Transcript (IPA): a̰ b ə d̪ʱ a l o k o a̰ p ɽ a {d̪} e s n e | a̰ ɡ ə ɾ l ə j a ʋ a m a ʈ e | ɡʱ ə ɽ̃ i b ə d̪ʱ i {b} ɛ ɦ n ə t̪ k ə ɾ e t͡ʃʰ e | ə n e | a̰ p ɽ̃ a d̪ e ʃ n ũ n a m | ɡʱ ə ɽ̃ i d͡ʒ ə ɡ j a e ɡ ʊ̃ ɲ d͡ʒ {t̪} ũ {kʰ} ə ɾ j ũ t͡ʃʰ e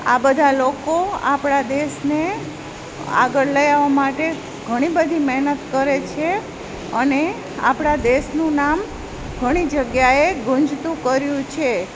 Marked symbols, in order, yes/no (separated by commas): yes, no, yes, no